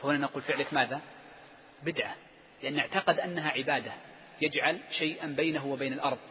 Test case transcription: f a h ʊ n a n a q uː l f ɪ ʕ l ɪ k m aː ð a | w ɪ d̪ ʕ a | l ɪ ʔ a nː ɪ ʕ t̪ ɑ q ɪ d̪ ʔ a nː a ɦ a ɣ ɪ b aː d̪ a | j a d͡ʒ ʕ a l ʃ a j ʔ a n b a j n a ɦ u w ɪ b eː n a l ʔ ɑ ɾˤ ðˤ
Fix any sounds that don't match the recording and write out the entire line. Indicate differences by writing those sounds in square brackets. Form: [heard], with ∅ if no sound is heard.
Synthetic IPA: f a h ʊ n a n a q uː l f ɪ ʕ l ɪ k m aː ð a | [b] ɪ d̪ ʕ a | l ɪ ʔ a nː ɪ ʕ t̪ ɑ q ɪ d̪ ʔ a nː a ɦ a [ʕ] ɪ b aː d̪ a | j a d͡ʒ ʕ a l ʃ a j ʔ a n b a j n a ɦ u w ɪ b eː n a l ʔ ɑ ɾˤ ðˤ